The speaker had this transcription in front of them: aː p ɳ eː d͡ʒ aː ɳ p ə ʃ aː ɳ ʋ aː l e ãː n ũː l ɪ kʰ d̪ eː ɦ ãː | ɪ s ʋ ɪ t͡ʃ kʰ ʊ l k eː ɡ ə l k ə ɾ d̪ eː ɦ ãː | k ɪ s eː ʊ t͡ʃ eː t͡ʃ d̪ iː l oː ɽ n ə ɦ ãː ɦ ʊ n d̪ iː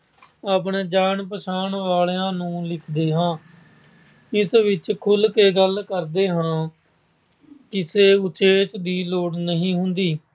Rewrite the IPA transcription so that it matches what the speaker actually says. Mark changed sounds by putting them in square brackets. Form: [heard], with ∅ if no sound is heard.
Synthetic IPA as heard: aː p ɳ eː d͡ʒ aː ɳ p ə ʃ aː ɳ ʋ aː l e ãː n ũː l ɪ kʰ d̪ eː ɦ ãː | ɪ s ʋ ɪ t͡ʃ kʰ ʊ l k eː ɡ ə l k ə ɾ d̪ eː ɦ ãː | k ɪ s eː ʊ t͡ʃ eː t͡ʃ d̪ iː l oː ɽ n ə ɦ [ĩː] ɦ ʊ n d̪ iː